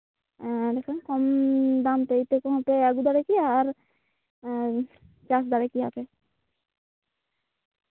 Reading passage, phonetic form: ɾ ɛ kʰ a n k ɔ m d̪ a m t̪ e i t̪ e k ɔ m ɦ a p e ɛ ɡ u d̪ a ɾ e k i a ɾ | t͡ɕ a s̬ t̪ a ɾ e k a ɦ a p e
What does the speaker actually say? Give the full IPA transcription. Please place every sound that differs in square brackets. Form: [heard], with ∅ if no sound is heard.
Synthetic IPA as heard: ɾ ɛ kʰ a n k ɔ m d̪ a m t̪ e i t̪ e k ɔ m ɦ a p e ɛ ɡ u d̪ a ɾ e k i a ɾ | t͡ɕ a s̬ [d̪] a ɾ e k [i] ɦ a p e